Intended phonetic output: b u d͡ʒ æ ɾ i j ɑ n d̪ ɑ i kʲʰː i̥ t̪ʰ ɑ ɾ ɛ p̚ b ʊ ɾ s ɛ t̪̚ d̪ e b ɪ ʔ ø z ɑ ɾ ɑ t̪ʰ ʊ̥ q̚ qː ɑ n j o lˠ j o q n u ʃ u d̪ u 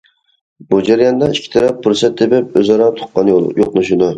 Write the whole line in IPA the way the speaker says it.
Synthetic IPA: b u d͡ʒ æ ɾ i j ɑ n d̪ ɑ i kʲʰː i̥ t̪ʰ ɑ ɾ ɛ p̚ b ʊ ɾ s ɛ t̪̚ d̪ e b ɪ p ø z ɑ ɾ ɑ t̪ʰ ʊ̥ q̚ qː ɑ n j o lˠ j o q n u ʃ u d̪ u